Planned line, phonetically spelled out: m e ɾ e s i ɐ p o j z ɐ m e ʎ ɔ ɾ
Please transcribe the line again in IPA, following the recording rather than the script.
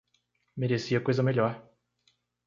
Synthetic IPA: m e ɾ e s i ɐ k o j z ɐ m e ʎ ɔ ɾ